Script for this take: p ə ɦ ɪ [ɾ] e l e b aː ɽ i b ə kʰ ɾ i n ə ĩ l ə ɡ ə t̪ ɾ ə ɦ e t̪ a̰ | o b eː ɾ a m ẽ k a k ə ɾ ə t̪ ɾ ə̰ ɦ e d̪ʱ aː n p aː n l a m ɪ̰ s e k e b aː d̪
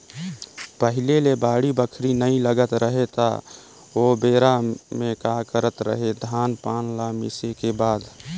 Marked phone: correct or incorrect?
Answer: incorrect